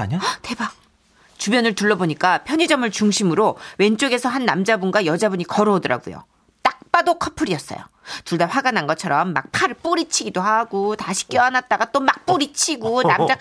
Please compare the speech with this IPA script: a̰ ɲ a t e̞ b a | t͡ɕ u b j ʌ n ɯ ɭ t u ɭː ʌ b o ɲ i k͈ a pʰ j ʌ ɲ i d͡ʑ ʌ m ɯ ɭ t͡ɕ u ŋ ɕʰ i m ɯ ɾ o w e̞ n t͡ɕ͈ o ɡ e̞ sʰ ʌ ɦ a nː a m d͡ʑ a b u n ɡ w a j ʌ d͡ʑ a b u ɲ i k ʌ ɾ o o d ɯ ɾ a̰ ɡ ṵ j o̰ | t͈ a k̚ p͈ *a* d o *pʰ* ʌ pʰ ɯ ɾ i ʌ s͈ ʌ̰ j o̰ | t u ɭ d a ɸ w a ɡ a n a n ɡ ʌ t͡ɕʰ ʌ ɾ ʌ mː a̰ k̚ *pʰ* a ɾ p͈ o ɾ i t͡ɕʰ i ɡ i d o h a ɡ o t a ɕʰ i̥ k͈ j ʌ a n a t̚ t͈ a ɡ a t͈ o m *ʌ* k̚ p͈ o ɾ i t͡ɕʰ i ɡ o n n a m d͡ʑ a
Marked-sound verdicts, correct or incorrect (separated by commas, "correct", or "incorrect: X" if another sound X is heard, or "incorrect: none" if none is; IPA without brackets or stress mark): correct, incorrect: kʰ, correct, incorrect: a